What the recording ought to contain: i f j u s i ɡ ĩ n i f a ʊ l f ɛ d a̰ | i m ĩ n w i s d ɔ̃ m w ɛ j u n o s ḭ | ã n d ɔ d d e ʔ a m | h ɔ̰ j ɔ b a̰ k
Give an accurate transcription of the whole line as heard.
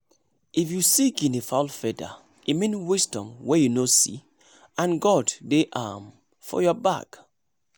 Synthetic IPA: i f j u s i ɡ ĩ n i f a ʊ l f ɛ d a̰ | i m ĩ n w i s d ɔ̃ m w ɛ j u n o s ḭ | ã n ɡ ɔ d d e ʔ a m | f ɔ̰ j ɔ b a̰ k